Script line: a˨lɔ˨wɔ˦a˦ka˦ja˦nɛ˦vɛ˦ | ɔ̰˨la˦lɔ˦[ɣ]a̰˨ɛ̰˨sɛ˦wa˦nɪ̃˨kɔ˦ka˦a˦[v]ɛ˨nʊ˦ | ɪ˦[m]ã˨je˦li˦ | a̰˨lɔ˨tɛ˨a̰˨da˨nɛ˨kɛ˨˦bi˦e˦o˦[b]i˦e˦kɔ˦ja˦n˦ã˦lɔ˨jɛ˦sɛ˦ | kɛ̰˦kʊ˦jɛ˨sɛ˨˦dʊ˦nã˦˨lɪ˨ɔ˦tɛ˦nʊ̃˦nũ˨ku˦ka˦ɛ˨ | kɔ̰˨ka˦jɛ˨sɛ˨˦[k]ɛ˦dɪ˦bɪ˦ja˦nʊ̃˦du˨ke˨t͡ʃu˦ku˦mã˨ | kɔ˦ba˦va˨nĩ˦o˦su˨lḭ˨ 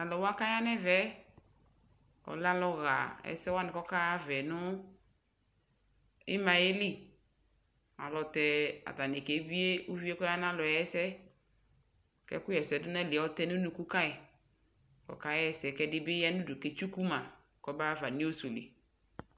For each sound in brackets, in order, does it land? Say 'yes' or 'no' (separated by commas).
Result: yes, yes, yes, no, yes